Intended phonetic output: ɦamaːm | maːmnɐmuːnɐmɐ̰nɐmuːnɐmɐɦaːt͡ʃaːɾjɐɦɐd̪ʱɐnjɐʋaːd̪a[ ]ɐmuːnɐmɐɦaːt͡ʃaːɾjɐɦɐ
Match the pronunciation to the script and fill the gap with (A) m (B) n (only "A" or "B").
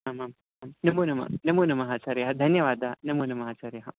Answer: B